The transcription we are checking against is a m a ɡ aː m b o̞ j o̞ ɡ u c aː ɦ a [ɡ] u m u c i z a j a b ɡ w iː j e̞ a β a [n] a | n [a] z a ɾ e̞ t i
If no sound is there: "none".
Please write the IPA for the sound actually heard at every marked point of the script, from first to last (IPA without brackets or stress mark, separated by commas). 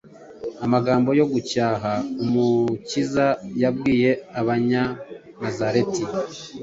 none, ɲ, a